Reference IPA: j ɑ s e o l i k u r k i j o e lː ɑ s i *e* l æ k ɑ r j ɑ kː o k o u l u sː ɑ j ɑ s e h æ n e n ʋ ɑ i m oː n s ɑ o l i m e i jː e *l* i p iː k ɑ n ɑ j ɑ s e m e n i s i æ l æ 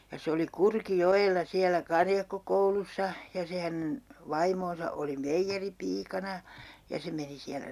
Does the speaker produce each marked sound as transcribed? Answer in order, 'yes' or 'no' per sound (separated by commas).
no, no